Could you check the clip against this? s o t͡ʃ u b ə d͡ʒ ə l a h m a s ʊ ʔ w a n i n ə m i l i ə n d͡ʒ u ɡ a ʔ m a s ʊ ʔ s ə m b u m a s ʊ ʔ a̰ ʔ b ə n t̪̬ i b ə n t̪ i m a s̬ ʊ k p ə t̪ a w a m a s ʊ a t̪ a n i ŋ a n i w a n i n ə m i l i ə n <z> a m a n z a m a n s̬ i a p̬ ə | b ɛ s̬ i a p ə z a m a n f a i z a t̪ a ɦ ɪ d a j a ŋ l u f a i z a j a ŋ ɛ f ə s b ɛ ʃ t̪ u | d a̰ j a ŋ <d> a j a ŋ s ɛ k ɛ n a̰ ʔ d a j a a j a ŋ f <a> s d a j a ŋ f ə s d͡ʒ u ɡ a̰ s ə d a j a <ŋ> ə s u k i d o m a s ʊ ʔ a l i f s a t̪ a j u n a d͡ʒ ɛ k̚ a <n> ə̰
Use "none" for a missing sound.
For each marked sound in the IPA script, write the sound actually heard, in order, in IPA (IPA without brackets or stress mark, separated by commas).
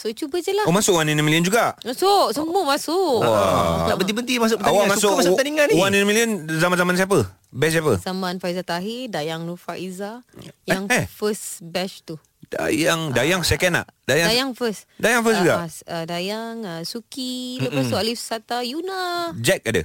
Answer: z, d, ə, ŋ, d